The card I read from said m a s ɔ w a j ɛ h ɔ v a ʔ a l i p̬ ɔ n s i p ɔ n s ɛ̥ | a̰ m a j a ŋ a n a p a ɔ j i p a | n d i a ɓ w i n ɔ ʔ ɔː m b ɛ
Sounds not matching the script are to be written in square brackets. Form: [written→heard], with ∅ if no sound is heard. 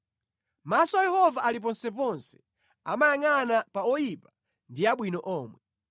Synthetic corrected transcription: m a s ɔ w a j ɛ h ɔ v a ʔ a l i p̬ ɔ n s [i→ɛ] p ɔ n s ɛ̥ | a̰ m a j a ŋ a n a p a ɔ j i p a | n d i a ɓ w i n ɔ ʔ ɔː m [b→w] ɛ